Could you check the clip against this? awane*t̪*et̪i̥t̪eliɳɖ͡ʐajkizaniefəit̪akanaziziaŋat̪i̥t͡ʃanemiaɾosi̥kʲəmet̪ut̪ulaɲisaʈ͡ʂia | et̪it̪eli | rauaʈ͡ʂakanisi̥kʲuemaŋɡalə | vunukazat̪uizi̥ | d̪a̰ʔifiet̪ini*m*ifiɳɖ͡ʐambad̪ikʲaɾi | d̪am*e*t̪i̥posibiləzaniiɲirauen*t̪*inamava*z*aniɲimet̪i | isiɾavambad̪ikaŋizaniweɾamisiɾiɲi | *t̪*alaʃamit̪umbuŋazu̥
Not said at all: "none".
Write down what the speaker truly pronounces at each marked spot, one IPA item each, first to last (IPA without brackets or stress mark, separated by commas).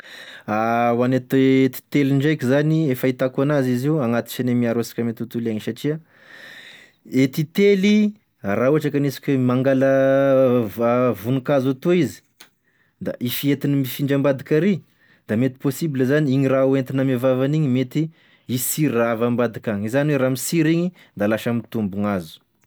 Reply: t̪, m, e, t̪, v, d̪